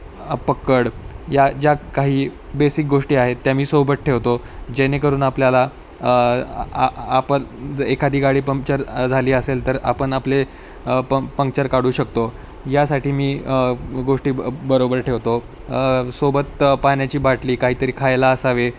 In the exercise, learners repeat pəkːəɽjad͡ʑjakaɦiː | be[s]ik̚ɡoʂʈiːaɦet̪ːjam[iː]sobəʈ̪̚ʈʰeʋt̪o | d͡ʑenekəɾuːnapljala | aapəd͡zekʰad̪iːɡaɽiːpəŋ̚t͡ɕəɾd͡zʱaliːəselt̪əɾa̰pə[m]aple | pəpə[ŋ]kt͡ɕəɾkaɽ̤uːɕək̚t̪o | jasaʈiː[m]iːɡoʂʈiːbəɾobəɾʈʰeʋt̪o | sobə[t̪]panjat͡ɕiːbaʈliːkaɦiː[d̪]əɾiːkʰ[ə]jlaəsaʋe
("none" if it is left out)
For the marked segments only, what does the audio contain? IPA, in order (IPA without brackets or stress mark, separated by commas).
s, iː, ɳ, ŋ, m, t̪, t̪, a